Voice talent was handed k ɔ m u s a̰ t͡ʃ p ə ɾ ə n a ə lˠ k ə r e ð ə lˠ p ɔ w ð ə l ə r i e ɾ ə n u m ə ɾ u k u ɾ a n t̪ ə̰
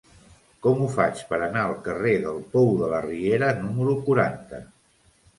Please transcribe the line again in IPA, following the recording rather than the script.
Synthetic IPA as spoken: k ɔ m u f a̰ t͡ʃ p ə ɾ ə n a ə lˠ k ə r e ð ə lˠ p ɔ w ð ə l ə r i e ɾ ə n u m ə ɾ u k u ɾ a n t̪ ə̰